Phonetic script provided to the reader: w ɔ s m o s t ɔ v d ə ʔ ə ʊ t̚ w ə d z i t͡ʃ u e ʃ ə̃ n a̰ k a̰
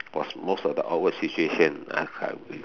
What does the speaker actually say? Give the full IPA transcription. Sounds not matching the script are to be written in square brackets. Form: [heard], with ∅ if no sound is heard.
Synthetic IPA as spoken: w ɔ s m o s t ɔ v d ə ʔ [a] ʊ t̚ w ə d [s] i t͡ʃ u e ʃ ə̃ n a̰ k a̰